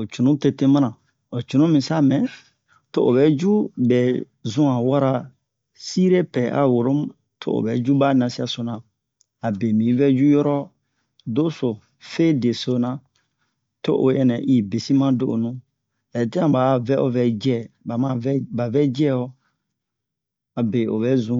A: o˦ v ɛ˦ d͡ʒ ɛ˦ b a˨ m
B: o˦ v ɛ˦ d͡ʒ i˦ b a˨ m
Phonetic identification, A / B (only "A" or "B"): A